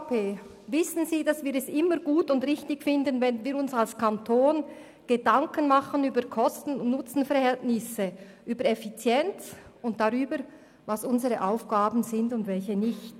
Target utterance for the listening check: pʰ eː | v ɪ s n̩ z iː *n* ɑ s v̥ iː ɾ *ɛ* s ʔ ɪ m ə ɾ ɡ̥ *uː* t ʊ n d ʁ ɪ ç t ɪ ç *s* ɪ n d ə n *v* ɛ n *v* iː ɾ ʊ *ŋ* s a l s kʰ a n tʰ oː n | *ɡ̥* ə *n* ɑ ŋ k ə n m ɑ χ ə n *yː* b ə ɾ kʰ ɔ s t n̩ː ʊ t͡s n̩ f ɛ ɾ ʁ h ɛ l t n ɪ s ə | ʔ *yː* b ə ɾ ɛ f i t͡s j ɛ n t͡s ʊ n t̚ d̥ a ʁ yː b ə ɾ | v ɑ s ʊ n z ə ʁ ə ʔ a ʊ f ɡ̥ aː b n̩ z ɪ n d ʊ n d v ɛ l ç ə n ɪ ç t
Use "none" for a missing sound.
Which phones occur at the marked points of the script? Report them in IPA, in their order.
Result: d, ɛ, uː, f, v, v, n, ɡ̥, d, yː, yː

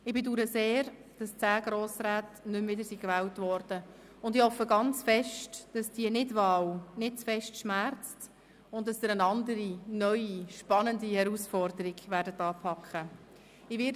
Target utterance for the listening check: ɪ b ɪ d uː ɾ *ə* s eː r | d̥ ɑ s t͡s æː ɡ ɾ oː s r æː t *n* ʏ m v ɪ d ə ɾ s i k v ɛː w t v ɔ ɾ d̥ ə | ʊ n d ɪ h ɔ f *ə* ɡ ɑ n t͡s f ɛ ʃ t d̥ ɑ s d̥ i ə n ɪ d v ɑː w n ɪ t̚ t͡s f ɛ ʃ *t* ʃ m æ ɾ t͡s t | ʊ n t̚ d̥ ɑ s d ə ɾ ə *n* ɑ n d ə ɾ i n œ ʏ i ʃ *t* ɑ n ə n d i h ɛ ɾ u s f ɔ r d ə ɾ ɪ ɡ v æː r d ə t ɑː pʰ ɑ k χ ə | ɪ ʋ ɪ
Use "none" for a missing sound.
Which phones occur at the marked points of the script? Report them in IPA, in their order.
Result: ə, n, ə, t, n, p

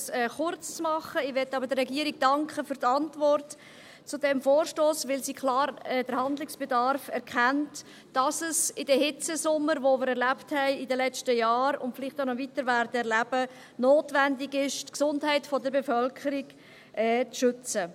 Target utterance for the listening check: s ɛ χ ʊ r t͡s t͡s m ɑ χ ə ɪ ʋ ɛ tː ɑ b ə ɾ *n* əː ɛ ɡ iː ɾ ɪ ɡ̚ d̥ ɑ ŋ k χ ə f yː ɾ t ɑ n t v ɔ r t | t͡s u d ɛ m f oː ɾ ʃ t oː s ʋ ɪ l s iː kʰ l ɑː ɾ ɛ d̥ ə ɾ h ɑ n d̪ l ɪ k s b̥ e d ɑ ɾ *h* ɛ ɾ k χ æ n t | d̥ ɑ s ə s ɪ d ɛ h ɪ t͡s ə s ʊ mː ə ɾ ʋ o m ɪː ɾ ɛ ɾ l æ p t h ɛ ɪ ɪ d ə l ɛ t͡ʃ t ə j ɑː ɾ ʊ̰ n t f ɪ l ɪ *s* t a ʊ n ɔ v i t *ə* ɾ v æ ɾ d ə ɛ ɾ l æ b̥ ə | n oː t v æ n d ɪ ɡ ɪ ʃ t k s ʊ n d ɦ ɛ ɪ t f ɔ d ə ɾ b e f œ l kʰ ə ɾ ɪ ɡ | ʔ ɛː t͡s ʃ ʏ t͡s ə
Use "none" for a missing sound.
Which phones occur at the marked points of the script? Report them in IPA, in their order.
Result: d, f, χ, ə

